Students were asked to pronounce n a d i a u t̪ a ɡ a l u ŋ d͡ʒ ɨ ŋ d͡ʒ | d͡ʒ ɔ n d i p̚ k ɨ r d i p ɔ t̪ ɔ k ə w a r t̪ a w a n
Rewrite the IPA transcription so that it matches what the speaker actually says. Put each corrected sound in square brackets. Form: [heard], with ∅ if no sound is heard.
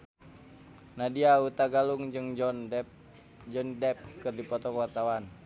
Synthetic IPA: n a d i a u t̪ a ɡ a l u ŋ d͡ʒ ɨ ŋ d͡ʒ | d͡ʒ ɔ n d [ɛ] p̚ k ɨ r d i p ɔ t̪ ɔ k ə w a r t̪ a w a n